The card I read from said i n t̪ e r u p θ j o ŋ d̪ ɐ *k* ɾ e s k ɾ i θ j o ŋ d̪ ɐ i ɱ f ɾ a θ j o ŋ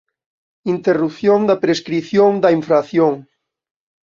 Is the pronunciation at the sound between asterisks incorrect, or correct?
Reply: incorrect